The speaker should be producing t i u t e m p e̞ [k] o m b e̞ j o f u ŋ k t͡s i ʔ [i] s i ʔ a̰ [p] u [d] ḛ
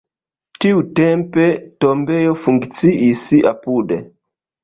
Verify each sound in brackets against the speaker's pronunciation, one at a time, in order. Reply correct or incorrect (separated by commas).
incorrect, correct, correct, correct